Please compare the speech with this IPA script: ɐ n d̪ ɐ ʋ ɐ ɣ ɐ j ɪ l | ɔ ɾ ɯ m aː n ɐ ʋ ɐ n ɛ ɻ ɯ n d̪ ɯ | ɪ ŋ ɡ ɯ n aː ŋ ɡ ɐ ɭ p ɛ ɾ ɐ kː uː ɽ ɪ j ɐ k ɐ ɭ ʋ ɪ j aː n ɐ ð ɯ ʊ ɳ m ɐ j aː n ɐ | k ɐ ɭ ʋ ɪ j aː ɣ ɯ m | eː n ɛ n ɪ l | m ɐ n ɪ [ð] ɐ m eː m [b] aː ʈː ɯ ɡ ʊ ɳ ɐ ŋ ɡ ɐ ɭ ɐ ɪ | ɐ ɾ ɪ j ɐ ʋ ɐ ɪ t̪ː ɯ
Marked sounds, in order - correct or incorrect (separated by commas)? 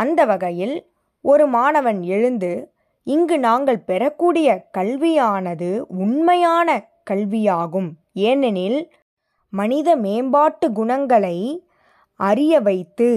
correct, correct